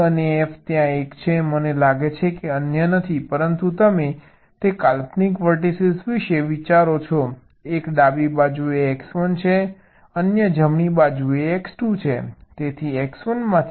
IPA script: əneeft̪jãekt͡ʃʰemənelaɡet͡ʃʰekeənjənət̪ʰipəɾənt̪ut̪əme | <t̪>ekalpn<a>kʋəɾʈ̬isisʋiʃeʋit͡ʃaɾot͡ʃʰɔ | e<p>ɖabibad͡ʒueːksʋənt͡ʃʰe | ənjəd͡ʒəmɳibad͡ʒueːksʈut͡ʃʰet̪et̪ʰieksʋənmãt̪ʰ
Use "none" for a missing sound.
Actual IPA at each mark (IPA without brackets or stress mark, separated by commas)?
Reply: t̪, i, k